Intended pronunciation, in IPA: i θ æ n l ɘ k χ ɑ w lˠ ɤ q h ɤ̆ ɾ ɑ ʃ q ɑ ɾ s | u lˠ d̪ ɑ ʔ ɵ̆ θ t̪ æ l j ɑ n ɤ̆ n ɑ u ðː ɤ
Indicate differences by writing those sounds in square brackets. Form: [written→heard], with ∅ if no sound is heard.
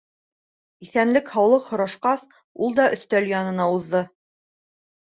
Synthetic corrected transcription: i θ æ n l ɘ k [χ→h] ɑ w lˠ ɤ q h [ɤ̆→ŏ] ɾ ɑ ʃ q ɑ [ɾ→∅] s | u lˠ d̪ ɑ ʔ ɵ̆ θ t̪ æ l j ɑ n ɤ̆ n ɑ u ðː ɤ